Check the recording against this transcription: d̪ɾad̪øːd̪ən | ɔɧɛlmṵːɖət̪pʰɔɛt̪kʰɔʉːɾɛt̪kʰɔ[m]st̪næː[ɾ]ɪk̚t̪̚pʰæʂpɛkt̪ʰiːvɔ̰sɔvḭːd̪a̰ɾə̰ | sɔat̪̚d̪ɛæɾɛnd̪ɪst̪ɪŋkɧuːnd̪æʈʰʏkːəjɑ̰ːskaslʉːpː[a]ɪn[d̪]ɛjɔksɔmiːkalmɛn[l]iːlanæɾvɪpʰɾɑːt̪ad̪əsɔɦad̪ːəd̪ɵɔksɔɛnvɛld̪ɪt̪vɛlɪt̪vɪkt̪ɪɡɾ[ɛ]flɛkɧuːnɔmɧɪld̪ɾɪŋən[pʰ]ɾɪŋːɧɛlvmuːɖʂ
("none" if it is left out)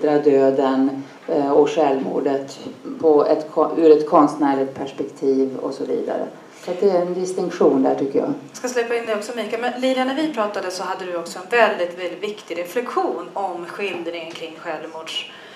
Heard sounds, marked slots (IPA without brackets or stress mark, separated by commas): n, ɭ, a, d̪, l, ɛ, kʰ